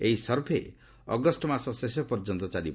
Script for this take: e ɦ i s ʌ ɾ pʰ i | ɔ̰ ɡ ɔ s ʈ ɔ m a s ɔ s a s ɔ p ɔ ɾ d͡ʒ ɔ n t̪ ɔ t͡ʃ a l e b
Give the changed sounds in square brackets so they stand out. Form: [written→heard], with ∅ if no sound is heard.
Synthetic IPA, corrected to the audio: e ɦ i s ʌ ɾ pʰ [i→e] | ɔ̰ ɡ ɔ s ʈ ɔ m a s ɔ s [a→e] s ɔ p ɔ ɾ d͡ʒ ɔ n t̪ ɔ t͡ʃ a l [e→i] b